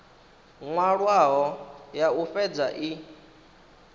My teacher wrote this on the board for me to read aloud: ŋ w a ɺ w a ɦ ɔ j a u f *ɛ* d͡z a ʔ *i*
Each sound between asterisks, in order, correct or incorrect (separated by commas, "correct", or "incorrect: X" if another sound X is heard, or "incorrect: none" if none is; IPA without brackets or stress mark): correct, correct